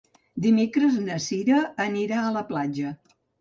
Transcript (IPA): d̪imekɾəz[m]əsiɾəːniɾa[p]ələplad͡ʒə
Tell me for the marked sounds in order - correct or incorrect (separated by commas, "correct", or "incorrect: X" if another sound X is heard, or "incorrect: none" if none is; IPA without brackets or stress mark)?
incorrect: n, incorrect: none